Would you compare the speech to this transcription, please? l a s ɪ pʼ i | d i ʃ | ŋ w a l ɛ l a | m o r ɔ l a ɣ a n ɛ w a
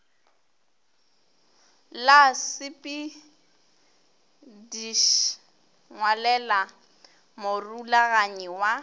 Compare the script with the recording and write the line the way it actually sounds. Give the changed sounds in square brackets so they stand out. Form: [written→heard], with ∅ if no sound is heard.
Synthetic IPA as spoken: l a s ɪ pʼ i | d i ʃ | ŋ w a l ɛ l a | m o r [ɔ→u] l a ɣ a [n→ɲ] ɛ w a